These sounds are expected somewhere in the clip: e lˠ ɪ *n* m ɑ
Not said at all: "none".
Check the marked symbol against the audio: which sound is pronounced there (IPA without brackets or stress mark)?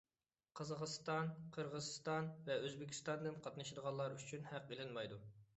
n